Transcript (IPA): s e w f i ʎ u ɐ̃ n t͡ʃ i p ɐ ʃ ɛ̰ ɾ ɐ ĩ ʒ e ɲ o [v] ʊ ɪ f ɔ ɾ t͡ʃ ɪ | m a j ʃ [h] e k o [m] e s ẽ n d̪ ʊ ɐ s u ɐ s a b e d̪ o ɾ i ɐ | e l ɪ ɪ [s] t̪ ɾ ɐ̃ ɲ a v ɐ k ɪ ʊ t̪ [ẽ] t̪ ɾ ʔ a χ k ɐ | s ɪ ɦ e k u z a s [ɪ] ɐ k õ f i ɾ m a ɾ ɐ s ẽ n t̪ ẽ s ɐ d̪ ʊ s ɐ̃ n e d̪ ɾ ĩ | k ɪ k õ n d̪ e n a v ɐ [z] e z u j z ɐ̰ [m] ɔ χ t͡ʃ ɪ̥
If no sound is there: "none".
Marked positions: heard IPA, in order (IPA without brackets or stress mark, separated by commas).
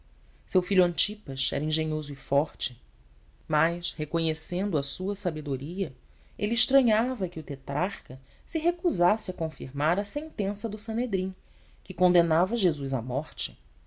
z, h, ɲ, ʃ, e, ɪ, ʒ, m